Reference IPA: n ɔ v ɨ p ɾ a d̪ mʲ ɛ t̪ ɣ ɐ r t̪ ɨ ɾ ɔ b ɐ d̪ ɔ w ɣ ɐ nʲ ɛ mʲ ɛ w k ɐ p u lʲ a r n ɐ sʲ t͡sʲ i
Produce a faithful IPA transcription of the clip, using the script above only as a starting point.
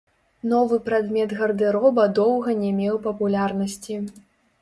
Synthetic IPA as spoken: n ɔ v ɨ p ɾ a d̪ mʲ ɛ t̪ ɣ ɐ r d̪ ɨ ɾ ɔ b ɐ d̪ ɔ w ɣ ɐ nʲ ɛ mʲ ɛ w p ɐ p u lʲ a r n ɐ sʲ t͡sʲ i